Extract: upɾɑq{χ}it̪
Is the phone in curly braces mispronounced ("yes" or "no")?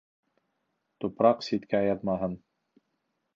yes